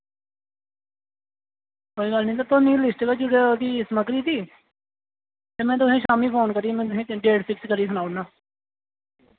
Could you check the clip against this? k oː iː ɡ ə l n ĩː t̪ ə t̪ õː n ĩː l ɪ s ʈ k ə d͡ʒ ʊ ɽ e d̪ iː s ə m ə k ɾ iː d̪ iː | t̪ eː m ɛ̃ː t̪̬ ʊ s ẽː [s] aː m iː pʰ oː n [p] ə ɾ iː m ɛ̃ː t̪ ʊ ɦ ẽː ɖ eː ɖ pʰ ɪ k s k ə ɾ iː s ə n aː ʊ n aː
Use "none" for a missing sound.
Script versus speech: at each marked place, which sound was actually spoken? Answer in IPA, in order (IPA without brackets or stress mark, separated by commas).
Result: ʃ, k